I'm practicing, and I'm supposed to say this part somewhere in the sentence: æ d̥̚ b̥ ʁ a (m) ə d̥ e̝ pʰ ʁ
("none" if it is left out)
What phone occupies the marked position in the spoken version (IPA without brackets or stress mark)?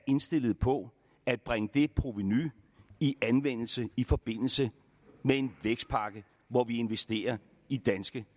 ŋ